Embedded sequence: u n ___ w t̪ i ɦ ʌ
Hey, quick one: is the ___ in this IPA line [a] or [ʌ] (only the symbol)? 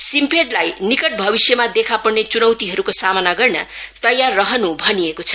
ʌ